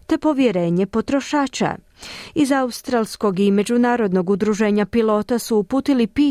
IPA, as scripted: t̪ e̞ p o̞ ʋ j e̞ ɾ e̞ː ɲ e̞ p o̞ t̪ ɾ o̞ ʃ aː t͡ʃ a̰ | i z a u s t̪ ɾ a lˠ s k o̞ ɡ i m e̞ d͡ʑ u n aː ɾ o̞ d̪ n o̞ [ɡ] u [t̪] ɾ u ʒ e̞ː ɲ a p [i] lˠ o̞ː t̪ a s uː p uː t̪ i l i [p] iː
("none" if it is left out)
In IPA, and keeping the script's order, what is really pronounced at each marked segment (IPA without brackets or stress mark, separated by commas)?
ɡ, d̪, i, p